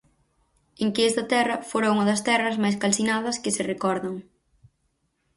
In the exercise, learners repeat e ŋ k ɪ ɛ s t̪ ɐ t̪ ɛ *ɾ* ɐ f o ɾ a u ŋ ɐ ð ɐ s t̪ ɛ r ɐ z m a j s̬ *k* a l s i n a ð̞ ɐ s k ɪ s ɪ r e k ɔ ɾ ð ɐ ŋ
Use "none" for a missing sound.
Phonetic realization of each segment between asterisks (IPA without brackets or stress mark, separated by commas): r, k